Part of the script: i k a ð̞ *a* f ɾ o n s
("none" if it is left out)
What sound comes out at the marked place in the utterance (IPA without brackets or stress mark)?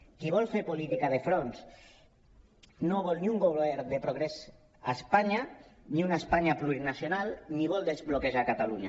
e